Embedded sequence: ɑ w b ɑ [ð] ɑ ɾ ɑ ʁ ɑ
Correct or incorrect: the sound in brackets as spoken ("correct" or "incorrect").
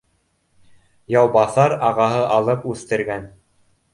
incorrect